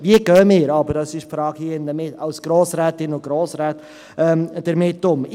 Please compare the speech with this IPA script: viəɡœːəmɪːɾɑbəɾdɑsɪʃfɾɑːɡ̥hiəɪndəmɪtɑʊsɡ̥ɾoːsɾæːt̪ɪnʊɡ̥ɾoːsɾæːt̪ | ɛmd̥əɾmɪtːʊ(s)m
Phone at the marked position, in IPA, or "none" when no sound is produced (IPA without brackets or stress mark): none